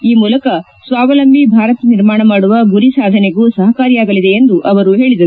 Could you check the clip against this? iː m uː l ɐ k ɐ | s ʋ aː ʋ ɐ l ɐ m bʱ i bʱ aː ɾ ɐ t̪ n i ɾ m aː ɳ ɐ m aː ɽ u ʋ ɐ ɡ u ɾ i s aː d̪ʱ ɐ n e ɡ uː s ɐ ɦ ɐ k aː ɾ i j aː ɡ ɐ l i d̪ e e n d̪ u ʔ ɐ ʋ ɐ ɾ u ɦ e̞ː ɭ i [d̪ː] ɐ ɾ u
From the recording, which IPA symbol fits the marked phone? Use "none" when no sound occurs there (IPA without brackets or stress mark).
d̪